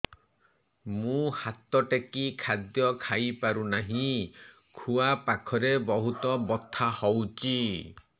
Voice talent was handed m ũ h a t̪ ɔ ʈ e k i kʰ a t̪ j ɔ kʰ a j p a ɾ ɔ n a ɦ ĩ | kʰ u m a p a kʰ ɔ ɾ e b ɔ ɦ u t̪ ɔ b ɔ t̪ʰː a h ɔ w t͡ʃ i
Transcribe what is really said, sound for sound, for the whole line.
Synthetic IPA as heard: m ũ h a t̪ ɔ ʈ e k i kʰ a d̪ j ɔ kʰ a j p a ɾ u n a ɦ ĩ | kʰ u a p a kʰ ɔ ɾ e b ɔ ɦ u t̪ ɔ b ɔ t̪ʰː a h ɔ w t͡ʃ i